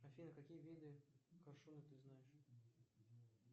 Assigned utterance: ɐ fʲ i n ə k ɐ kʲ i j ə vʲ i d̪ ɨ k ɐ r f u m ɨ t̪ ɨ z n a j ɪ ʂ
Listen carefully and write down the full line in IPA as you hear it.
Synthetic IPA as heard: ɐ fʲ i n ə k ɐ kʲ i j ə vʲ i d̪ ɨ k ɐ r ʂ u n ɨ t̪ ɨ z n a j ɪ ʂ